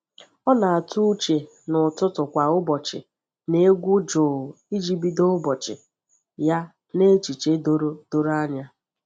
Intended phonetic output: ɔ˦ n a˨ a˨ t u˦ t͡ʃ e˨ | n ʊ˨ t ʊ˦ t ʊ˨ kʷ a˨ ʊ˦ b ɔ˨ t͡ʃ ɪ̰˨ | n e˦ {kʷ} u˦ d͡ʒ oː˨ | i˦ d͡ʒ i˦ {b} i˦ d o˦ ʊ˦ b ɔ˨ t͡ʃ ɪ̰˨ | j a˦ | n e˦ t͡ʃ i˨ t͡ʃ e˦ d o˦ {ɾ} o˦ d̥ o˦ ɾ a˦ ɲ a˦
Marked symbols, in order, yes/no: no, yes, yes

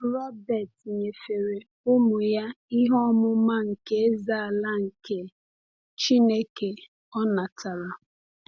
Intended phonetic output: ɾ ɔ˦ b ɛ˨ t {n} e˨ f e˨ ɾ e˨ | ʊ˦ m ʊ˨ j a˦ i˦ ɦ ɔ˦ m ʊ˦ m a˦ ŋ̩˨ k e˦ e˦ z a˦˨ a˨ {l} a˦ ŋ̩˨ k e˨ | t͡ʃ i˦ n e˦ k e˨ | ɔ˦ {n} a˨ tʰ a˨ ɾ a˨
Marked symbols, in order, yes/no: no, yes, yes

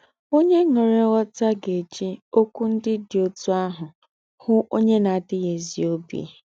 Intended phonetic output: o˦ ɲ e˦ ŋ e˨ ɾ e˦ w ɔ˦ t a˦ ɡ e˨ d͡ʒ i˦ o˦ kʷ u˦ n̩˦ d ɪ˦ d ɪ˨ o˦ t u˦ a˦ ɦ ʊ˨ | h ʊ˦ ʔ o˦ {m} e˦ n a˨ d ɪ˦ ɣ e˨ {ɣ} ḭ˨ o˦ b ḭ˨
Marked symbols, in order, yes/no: no, no

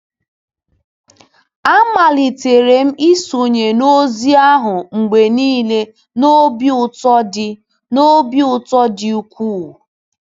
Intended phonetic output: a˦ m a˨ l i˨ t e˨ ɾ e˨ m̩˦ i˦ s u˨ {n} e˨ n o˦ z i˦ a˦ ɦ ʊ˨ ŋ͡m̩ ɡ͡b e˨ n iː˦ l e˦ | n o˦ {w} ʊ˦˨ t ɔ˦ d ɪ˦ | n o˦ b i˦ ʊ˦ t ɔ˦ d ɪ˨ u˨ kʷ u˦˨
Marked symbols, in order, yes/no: no, no

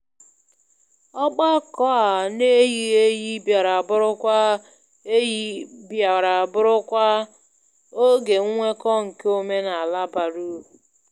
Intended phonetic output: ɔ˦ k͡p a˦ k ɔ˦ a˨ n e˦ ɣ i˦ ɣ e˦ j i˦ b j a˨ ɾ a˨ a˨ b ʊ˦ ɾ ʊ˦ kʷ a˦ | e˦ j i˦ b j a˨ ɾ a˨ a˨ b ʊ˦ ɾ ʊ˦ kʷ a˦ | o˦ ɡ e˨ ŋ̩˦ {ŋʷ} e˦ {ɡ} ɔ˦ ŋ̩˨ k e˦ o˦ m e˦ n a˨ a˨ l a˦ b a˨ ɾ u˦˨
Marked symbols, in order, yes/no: yes, no

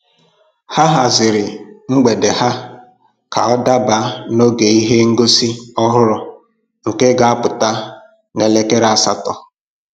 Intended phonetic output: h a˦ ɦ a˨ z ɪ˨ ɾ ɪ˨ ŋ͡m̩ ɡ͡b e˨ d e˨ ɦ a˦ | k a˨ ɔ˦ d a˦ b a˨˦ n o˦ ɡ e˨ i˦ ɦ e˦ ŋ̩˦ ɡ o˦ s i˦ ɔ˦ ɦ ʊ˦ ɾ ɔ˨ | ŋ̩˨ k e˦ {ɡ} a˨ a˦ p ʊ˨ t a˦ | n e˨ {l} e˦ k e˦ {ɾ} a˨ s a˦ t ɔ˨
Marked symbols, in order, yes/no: yes, yes, yes

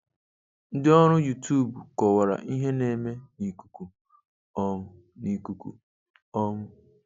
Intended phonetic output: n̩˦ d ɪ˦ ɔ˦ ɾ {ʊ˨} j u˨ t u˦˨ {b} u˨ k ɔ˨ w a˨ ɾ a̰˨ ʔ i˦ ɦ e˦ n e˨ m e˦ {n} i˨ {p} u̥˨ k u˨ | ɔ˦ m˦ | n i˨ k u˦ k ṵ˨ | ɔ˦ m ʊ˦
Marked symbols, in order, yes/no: no, yes, yes, no

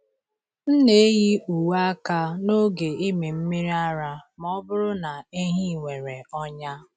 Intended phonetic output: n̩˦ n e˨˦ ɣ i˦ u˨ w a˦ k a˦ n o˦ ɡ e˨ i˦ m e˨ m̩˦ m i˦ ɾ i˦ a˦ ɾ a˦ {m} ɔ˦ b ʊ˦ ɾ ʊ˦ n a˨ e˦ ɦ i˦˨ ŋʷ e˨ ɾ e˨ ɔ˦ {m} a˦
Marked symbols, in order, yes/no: yes, no

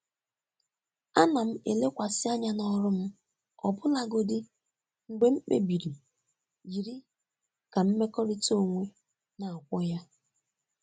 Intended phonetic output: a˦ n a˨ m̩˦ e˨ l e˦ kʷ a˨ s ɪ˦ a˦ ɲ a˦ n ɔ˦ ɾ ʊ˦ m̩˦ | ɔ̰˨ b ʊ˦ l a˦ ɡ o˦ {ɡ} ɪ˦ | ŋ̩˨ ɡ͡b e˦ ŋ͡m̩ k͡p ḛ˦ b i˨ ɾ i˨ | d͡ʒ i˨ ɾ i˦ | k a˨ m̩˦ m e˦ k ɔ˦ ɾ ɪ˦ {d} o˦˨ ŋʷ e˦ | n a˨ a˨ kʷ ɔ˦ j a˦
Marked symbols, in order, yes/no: no, no

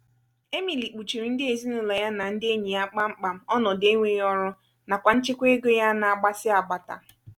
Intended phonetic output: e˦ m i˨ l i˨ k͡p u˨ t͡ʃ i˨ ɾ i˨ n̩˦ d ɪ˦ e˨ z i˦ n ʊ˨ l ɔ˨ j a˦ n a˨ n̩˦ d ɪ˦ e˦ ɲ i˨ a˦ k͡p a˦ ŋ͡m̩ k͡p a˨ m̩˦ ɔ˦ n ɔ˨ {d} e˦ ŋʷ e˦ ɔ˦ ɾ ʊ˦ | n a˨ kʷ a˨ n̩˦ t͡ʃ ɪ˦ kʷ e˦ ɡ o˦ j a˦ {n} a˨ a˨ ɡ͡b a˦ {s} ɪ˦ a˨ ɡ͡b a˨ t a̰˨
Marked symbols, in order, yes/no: yes, yes, yes

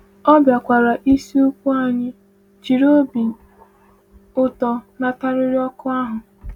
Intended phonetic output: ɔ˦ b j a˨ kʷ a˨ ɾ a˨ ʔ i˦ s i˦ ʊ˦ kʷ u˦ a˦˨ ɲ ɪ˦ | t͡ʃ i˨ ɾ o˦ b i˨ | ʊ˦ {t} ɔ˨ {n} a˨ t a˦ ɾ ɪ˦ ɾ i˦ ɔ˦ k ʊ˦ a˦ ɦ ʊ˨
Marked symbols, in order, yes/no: yes, yes

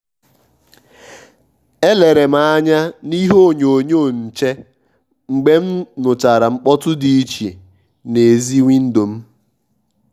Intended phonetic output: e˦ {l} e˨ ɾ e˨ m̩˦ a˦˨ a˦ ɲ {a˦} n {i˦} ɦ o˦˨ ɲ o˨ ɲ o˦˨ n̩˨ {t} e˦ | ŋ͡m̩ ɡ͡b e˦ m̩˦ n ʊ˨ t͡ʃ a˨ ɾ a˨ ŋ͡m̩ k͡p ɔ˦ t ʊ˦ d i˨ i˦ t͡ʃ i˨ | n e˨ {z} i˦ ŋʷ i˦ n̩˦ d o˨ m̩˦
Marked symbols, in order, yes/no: yes, yes, yes, no, yes

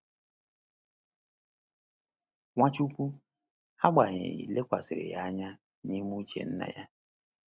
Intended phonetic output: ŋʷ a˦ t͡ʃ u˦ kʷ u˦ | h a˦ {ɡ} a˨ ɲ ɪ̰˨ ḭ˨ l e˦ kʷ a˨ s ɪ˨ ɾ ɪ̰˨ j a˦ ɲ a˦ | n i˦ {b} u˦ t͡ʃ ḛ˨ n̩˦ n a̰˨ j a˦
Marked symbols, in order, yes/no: no, no

